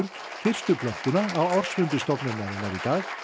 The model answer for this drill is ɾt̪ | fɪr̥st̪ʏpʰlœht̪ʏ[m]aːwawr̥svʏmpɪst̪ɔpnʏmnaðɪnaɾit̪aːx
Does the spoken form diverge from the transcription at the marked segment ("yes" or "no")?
yes